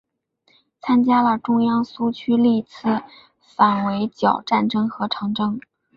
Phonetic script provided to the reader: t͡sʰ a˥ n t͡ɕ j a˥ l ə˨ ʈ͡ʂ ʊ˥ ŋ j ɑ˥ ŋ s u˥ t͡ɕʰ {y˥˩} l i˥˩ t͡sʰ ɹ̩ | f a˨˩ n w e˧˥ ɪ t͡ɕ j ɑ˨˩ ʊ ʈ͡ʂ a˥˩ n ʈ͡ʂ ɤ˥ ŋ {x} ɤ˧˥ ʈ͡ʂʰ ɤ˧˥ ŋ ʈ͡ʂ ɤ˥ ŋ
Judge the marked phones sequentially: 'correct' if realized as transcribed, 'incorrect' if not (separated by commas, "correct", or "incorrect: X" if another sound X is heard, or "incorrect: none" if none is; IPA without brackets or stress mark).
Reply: incorrect: y˥, correct